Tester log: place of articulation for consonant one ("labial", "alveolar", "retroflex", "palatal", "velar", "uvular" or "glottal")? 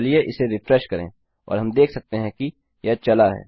alveolar